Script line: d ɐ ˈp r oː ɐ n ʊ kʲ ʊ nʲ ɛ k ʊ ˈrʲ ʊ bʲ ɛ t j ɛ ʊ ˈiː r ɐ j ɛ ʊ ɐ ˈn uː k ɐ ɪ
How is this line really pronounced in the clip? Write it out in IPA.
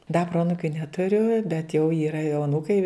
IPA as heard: d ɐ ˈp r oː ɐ n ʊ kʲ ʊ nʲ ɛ t ʊ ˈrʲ ʊ bʲ ɛ t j ɛ ʊ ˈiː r ɐ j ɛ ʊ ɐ ˈn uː k ɐ ɪ